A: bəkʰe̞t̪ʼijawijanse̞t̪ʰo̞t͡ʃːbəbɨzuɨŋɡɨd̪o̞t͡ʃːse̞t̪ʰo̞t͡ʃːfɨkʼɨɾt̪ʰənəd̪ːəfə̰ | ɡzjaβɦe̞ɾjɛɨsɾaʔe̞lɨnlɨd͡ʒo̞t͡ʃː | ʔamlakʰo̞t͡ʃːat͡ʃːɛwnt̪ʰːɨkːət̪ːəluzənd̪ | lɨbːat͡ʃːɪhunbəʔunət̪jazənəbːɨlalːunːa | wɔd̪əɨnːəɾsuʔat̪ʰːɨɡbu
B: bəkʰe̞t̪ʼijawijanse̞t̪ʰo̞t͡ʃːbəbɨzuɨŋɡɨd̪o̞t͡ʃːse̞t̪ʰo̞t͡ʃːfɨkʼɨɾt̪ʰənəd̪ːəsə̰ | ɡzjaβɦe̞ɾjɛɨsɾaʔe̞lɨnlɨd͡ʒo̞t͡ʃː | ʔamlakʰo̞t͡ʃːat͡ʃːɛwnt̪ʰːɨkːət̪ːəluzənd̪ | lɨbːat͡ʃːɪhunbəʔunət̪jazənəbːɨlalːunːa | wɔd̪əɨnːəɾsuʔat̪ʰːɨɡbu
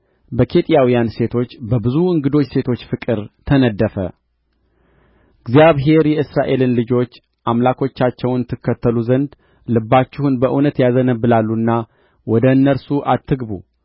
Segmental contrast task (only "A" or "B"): A